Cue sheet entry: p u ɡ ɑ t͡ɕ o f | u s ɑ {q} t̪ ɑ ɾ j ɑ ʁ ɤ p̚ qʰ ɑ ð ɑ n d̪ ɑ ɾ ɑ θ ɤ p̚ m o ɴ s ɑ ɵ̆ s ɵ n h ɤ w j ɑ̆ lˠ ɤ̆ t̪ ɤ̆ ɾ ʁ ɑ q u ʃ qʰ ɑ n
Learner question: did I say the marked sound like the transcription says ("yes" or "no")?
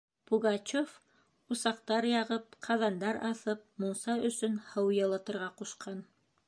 yes